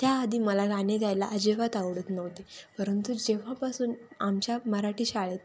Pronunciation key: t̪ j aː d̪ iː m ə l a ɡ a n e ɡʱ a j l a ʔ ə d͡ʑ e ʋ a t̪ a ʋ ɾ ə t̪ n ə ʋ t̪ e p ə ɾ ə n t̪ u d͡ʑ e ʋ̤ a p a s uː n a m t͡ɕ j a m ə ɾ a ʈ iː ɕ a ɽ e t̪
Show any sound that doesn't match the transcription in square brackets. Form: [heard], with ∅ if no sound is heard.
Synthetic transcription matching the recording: t̪ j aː d̪ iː m ə l a ɡ a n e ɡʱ a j l a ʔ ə d͡ʑ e ʋ a t̪ a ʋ [ɽ] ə t̪ n ə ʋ t̪ e p ə ɾ ə n t̪ u d͡ʑ e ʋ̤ a p a s uː n a m t͡ɕ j a m ə ɾ a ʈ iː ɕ a [ɭ] e t̪